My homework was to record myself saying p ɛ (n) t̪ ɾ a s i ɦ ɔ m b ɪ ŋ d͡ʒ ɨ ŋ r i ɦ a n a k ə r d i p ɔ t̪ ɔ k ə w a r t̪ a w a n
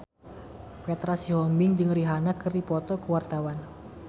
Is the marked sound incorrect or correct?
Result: incorrect